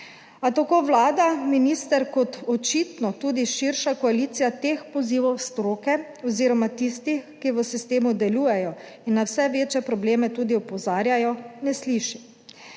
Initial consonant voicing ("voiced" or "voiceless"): voiceless